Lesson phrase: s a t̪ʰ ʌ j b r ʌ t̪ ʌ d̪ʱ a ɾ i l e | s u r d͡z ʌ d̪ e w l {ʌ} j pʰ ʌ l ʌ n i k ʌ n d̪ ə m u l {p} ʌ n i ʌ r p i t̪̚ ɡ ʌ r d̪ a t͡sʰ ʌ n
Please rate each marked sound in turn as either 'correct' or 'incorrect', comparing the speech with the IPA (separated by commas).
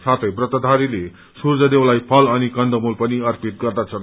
incorrect, correct